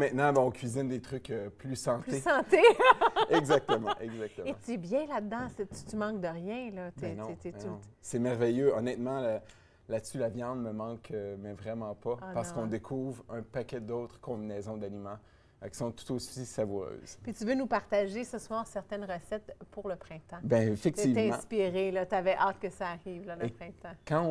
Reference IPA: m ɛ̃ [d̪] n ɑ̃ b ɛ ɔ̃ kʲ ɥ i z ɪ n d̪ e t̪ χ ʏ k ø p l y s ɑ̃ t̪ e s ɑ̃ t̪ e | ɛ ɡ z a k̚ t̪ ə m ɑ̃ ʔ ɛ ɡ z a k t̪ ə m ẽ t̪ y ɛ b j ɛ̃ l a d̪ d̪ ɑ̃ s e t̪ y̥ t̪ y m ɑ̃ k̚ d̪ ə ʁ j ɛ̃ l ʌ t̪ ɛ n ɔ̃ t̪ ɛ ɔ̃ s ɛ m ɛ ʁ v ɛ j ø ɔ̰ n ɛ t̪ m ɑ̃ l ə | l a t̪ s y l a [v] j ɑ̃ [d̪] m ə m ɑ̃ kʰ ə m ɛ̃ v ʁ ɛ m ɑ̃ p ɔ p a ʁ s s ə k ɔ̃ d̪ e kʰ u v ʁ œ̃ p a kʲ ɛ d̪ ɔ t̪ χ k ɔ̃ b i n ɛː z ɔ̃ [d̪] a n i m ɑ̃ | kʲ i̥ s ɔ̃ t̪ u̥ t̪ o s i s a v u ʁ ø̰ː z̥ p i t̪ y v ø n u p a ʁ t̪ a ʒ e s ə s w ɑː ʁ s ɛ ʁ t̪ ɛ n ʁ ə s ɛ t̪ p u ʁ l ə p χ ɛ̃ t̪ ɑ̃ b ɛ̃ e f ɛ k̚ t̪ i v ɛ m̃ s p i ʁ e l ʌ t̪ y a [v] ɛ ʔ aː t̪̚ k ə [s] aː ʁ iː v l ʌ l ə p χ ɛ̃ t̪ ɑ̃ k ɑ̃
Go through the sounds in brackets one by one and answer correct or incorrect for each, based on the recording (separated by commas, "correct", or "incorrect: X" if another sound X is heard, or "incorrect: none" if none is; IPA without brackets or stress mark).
incorrect: t̪, correct, correct, correct, correct, correct